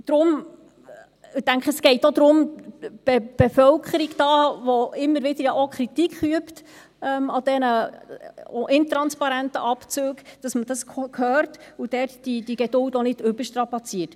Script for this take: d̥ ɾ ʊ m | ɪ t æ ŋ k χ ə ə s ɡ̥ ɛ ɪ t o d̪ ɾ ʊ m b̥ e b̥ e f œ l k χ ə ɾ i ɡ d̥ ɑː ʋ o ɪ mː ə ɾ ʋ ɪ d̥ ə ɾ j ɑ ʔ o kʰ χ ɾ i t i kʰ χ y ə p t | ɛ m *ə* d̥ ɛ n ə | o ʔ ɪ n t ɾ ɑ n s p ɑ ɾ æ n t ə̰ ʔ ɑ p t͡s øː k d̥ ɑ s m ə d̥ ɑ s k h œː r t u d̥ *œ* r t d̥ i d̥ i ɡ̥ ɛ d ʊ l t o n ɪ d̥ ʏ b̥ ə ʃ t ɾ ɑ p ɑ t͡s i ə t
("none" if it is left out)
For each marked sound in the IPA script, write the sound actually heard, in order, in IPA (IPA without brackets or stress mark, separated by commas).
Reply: ɑ, ɛ